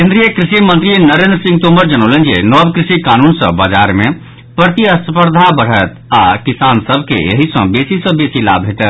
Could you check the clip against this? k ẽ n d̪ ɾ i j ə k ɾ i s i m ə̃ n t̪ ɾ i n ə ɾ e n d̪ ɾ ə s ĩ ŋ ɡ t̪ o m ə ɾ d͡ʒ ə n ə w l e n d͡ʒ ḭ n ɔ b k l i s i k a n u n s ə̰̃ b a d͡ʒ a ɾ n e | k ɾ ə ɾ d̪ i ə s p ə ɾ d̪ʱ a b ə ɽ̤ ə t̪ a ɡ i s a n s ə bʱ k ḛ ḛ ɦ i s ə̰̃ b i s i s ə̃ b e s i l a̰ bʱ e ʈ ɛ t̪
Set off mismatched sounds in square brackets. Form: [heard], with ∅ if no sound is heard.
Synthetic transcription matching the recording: k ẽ n d̪ ɾ i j ə k ɾ i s i m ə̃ n t̪ ɾ i n ə ɾ e n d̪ ɾ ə s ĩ ŋ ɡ t̪ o m ə ɾ d͡ʒ ə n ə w l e n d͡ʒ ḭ n ɔ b k [ɾ] i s i k a n u n s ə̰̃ b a d͡ʒ a ɾ [m] e | [p] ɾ ə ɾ [t̪] i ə s p ə ɾ d̪ʱ a b ə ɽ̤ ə t̪ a [k] i s a n s ə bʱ k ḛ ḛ ɦ i s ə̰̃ b [e] s i s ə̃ b e s i l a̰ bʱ e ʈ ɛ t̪